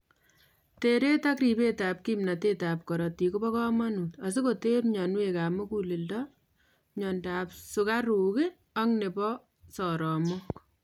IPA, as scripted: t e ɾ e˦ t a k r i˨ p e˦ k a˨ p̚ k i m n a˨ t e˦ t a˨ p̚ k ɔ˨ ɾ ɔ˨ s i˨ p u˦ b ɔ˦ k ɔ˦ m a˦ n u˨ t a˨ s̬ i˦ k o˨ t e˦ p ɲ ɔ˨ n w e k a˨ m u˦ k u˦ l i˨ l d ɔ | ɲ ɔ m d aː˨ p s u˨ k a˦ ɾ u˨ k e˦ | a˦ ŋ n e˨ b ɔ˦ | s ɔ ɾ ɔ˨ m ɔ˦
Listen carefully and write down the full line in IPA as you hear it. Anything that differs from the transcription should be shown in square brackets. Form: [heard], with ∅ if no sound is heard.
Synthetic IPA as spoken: t e ɾ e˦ t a k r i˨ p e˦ [t] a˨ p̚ k i m n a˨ t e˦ t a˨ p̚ k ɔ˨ ɾ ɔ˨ [t] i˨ [k] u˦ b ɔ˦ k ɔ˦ m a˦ n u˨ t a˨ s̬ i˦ k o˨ t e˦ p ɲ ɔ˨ n w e k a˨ m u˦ k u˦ l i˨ l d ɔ | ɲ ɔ [n] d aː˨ p s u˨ k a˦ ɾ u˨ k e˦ | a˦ ŋ n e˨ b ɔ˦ | s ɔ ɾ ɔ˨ m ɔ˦